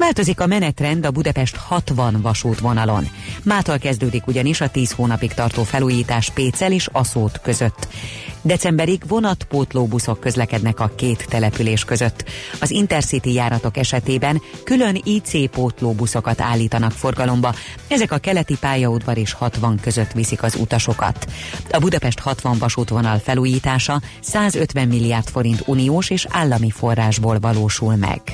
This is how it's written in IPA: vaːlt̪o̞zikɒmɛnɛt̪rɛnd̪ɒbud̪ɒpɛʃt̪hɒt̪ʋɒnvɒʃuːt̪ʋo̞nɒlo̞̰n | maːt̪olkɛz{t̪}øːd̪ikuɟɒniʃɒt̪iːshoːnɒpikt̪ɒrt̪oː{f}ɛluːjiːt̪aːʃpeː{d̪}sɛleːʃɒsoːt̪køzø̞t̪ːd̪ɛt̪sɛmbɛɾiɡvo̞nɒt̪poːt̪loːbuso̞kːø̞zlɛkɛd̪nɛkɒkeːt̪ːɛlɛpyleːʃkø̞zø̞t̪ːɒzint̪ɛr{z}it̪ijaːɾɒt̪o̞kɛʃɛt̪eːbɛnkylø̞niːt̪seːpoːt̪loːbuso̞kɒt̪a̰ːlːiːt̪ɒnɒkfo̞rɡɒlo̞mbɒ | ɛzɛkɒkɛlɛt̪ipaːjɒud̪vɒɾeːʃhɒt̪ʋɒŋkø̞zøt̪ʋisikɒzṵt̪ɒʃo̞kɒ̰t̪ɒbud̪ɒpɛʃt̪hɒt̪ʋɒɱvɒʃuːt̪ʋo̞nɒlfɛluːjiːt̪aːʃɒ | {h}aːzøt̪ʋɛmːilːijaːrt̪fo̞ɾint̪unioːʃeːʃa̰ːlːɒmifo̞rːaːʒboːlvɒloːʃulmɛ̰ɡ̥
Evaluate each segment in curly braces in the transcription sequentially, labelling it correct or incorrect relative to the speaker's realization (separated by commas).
incorrect, correct, incorrect, incorrect, incorrect